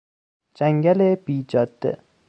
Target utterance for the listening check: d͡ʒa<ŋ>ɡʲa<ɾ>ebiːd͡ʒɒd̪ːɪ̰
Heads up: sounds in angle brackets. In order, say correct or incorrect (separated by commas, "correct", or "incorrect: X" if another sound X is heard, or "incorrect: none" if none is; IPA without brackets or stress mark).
correct, incorrect: l